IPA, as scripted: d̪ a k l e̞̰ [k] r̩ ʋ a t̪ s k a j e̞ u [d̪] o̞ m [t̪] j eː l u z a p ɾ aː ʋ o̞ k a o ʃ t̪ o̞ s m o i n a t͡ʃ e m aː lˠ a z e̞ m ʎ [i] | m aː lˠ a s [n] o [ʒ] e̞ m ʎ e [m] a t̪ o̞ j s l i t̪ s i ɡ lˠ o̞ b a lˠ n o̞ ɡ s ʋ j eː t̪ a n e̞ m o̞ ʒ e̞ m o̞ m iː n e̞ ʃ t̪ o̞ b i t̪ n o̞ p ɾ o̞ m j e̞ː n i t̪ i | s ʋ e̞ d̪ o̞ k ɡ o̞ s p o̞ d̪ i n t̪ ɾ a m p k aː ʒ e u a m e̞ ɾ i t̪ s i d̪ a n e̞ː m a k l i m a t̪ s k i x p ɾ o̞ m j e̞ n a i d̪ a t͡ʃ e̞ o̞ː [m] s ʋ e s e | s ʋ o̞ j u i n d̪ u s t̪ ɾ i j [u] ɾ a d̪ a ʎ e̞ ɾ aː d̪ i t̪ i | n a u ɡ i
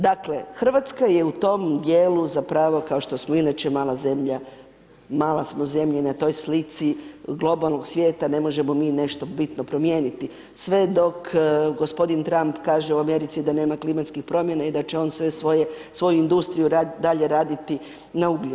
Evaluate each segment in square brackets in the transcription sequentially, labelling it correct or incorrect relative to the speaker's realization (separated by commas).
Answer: incorrect, incorrect, incorrect, incorrect, incorrect, incorrect, incorrect, incorrect, correct